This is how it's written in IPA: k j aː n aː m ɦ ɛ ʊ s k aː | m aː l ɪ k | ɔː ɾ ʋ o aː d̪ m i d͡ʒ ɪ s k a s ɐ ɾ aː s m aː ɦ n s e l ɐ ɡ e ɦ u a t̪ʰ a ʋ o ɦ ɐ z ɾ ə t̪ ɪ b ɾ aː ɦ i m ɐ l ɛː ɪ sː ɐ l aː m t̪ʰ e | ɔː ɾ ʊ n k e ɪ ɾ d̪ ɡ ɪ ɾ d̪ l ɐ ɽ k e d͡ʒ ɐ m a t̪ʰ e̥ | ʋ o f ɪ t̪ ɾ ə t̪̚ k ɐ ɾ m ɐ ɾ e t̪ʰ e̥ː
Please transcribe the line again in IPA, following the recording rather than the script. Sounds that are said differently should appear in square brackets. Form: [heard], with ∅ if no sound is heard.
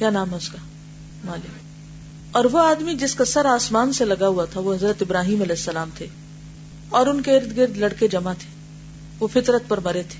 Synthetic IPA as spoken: k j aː n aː m ɦ ɛ ʊ s k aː | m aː l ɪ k | ɔː ɾ ʋ o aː d̪ m i d͡ʒ ɪ s k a s ɐ ɾ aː s m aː [∅] n s e l ɐ ɡ [a] ɦ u a t̪ʰ a ʋ o ɦ ɐ z ɾ ə t̪ ɪ b ɾ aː ɦ [iː] m ɐ l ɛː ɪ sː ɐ l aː m t̪ʰ e | ɔː ɾ ʊ n k e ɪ ɾ d̪ ɡ ɪ ɾ d̪ l ɐ ɽ k e d͡ʒ ɐ m a t̪ʰ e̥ | ʋ o f ɪ t̪ ɾ ə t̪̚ [p] ɐ ɾ m ɐ ɾ e t̪ʰ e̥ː